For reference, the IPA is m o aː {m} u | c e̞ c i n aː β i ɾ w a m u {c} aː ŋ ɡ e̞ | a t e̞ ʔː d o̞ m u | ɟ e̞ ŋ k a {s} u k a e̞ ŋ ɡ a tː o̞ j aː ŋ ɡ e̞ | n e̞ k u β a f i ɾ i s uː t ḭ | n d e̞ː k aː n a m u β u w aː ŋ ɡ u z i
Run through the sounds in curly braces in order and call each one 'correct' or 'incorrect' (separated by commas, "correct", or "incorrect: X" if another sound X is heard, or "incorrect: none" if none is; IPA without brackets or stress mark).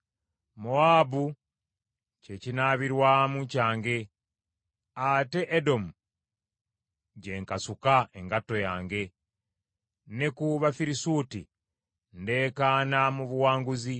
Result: incorrect: b, correct, correct